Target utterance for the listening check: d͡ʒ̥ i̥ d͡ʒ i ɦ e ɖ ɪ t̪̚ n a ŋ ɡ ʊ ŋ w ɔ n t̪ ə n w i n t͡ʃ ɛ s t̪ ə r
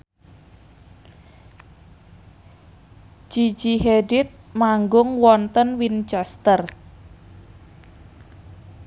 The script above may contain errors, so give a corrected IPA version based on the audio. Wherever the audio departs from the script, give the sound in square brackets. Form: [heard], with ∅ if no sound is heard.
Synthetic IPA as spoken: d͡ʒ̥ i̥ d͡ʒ i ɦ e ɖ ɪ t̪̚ [m] a ŋ ɡ ʊ ŋ w ɔ n t̪ ə n w i n t͡ʃ ɛ s t̪ ə r